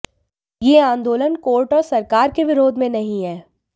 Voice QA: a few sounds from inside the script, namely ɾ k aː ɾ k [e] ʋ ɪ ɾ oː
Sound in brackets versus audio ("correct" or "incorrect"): correct